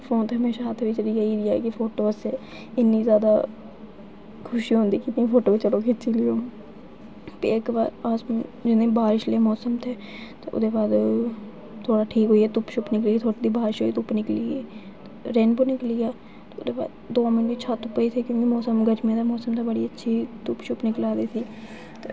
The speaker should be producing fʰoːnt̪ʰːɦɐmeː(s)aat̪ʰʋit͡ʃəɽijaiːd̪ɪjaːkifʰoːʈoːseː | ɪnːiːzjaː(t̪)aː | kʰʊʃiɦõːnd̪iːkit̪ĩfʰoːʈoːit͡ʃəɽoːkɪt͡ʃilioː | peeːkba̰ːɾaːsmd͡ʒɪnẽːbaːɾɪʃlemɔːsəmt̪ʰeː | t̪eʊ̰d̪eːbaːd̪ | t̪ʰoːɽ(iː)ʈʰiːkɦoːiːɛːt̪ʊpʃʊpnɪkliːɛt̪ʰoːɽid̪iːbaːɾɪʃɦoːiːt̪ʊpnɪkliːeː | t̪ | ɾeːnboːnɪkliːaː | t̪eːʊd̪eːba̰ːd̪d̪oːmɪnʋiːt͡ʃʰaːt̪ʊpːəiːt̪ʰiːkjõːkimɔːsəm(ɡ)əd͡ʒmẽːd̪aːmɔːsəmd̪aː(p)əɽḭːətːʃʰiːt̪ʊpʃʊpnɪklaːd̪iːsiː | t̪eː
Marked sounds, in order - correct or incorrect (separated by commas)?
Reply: incorrect, incorrect, incorrect, correct, incorrect